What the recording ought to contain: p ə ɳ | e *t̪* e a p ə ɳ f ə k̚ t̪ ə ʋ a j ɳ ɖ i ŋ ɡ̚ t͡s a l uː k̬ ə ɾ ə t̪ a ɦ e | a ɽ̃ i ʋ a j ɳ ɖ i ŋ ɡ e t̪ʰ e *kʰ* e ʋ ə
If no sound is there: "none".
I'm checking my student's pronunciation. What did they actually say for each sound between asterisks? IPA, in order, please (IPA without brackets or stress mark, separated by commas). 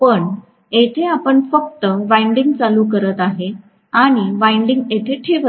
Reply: t̪ʰ, ʈʰ